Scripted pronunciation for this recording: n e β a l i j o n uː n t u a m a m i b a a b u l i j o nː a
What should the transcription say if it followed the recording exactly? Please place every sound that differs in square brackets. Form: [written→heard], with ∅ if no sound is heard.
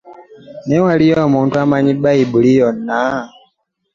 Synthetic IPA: n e [β→w] a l i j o [n→m] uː n t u a m a [m→ɲ] i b a [a→i] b u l i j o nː a